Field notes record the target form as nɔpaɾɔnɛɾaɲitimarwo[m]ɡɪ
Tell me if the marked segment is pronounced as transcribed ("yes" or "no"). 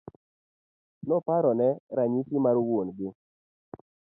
no